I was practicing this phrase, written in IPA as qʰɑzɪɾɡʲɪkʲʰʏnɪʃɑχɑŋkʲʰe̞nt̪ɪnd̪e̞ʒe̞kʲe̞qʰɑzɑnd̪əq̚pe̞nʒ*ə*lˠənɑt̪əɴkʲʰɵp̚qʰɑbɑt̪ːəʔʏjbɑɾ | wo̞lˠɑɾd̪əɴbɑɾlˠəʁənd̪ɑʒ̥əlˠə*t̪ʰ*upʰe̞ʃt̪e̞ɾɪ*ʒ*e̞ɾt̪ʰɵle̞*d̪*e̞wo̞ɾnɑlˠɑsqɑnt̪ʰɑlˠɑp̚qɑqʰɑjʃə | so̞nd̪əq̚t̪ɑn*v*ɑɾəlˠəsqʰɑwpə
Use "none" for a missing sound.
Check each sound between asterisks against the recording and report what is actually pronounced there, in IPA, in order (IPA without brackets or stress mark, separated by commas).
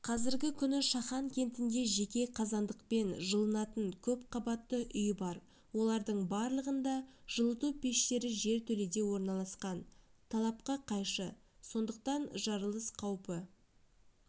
ə, t̪, ʒ, d̪, ʒ